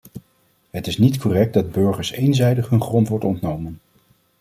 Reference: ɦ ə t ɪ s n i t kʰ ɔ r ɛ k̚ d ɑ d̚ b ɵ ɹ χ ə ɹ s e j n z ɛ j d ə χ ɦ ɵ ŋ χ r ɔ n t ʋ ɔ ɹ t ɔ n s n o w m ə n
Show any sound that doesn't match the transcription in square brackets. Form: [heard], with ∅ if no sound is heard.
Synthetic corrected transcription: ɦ ə t ɪ s n i t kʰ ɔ r ɛ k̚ d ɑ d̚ b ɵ ɹ χ ə ɹ s e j n z ɛ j d ə χ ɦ ɵ [n] χ r ɔ n t ʋ ɔ ɹ t ɔ n [t] n o w m ə n